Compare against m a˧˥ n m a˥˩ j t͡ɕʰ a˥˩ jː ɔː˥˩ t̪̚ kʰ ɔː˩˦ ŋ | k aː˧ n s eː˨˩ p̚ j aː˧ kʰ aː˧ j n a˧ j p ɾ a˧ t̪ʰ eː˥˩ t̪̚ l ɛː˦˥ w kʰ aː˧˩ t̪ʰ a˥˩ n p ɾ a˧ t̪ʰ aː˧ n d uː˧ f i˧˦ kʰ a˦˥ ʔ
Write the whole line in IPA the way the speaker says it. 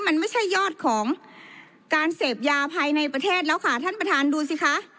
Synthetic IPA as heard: m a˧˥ n m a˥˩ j t͡ɕʰ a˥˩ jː ɔː˥˩ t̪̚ kʰ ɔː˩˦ ŋ | k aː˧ n s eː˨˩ p̚ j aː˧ pʰ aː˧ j n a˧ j p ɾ a˧ t̪ʰ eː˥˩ t̪̚ l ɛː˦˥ w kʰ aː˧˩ t̪ʰ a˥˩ n p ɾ a˧ t̪ʰ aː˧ n d uː˧ s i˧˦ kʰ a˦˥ ʔ